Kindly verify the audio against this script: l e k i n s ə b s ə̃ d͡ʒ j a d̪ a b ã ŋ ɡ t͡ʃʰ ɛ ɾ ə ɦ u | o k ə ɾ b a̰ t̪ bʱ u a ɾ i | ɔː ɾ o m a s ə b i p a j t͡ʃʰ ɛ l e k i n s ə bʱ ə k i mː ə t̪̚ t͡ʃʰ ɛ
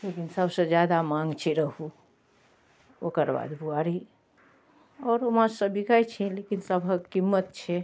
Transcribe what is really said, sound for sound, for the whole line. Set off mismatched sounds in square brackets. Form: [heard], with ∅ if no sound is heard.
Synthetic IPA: l e k i n s ə b s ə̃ d͡ʒ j a d̪ a [m] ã ŋ ɡ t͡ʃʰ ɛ ɾ ə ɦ u | o k ə ɾ b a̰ [d̪] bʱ u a ɾ i | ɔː ɾ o m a s ə b i [k] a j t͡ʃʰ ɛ l e k i n s ə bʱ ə k i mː ə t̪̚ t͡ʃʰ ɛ